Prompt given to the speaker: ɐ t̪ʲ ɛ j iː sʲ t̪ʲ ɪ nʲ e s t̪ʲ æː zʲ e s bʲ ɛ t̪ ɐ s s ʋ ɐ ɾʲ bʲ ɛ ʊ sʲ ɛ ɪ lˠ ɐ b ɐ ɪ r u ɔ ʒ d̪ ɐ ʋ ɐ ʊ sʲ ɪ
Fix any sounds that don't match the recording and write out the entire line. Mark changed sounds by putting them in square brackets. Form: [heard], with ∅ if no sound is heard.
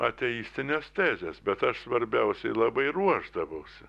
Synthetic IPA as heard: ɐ t̪ʲ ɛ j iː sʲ t̪ʲ ɪ nʲ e s t̪ʲ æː zʲ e s bʲ ɛ t̪ ɐ [ʃ] s ʋ ɐ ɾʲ bʲ ɛ ʊ sʲ ɛ ɪ lˠ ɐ b ɐ ɪ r u ɔ ʒ d̪ ɐ ʋ ɐ ʊ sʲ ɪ